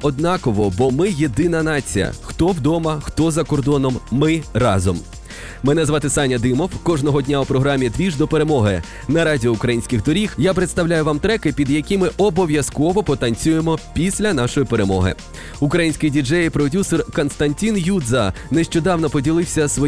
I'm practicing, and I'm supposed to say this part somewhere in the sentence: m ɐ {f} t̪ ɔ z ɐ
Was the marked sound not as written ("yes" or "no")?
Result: yes